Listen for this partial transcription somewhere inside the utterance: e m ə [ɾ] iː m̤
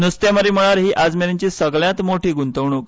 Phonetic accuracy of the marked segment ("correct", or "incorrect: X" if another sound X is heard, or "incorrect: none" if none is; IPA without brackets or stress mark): correct